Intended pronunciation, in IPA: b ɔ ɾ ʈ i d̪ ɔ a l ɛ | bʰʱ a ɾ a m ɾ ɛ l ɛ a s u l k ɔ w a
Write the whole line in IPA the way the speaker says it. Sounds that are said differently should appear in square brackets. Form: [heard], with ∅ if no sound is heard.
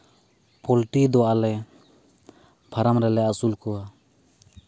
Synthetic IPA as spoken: [p] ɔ [l] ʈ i d̪ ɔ a l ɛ | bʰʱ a ɾ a m ɾ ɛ l ɛ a s u l k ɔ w a